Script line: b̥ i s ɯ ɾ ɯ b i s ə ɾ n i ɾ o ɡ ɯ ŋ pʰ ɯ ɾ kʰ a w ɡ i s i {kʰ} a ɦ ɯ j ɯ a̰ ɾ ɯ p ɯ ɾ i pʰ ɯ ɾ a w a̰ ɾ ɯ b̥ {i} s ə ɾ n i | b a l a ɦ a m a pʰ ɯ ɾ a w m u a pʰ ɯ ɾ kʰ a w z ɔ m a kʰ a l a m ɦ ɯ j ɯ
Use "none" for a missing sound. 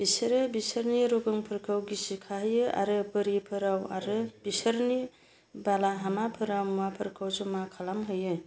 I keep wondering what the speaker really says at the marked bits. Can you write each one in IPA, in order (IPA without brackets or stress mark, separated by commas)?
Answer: kʰ, i